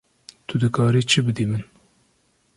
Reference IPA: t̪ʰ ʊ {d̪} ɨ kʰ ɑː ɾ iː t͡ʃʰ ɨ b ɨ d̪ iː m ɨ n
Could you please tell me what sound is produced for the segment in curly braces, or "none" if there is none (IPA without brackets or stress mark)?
d̪